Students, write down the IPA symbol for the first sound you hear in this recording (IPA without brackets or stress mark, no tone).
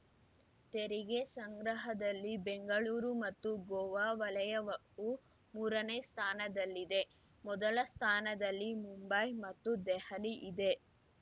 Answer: t̪